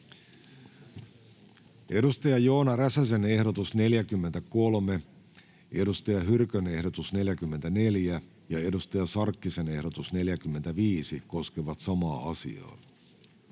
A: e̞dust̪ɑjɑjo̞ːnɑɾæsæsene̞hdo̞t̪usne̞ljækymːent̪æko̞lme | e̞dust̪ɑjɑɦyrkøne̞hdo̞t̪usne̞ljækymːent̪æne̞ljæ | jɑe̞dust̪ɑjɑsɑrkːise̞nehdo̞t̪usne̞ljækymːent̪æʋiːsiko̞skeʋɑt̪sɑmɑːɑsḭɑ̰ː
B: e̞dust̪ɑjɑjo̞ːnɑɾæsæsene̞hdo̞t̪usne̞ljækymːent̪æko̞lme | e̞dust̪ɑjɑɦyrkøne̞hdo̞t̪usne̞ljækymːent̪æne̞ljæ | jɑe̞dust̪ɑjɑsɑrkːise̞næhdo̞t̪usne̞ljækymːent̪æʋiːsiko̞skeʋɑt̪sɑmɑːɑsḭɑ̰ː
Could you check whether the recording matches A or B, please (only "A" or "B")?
A